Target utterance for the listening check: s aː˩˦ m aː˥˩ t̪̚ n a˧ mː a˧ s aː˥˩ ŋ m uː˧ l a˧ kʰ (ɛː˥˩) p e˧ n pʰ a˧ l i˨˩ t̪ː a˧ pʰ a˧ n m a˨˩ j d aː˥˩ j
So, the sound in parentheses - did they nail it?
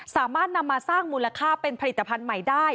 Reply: no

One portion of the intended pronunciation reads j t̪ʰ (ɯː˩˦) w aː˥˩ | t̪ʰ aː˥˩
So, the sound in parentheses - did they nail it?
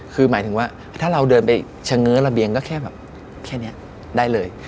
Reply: no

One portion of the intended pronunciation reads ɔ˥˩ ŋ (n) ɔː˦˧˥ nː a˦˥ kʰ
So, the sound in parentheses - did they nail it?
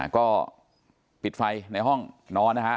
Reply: yes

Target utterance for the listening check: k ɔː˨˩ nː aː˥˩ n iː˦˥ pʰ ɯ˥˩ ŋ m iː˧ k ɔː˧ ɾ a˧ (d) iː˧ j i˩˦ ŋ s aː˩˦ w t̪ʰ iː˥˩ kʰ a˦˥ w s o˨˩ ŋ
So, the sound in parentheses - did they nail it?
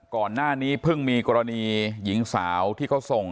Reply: no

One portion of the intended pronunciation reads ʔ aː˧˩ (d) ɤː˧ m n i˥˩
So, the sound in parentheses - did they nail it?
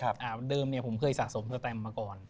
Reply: yes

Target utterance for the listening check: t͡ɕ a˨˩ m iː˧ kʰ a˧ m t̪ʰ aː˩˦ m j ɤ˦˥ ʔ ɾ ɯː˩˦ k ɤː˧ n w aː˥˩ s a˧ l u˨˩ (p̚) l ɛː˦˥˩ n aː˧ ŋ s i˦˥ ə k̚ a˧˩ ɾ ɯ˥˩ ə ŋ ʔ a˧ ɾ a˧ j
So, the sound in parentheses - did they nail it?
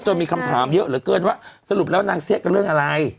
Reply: yes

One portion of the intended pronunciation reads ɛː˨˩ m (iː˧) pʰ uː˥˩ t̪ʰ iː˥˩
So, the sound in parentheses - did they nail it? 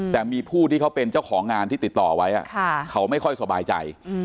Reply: yes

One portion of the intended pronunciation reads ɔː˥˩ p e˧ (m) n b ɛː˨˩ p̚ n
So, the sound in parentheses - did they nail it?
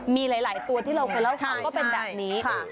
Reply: no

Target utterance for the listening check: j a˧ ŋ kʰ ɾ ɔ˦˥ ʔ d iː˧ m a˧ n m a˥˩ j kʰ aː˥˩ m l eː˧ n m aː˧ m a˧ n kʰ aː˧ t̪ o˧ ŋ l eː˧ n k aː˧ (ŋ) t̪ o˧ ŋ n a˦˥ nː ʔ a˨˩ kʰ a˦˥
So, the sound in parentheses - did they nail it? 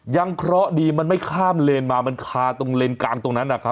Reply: yes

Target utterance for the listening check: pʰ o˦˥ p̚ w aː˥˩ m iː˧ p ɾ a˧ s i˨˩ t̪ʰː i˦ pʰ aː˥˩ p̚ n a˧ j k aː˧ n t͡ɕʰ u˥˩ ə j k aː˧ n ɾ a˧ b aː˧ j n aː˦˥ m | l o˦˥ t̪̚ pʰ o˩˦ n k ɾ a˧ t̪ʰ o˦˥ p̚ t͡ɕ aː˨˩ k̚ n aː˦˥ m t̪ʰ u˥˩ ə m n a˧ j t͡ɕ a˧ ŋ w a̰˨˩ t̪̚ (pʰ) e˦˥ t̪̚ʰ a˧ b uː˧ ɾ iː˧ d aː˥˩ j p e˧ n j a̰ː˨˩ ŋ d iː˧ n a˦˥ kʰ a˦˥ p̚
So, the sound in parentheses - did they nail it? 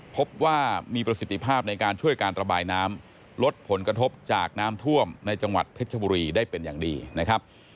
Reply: yes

